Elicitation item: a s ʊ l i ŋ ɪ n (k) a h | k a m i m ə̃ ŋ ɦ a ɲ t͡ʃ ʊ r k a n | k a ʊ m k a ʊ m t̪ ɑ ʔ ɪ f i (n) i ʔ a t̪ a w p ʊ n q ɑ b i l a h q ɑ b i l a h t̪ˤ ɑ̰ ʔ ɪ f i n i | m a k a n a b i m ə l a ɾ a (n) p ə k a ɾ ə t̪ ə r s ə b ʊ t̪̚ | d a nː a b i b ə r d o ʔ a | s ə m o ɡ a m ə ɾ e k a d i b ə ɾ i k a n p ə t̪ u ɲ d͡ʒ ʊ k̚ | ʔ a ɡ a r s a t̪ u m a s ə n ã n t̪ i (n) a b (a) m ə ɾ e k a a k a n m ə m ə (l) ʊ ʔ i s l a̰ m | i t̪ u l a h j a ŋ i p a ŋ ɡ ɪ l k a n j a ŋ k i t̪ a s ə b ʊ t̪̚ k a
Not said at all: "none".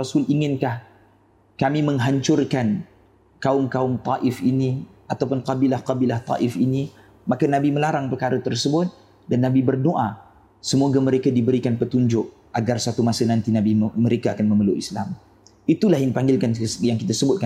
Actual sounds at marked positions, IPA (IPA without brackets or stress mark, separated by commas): k, n, ŋ, n, i, l